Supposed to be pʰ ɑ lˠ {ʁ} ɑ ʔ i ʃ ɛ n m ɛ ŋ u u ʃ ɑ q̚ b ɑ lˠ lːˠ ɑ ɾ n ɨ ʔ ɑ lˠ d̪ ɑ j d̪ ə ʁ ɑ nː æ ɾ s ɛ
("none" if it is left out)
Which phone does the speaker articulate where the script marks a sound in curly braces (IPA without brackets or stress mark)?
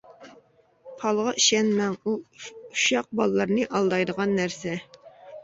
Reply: ʁ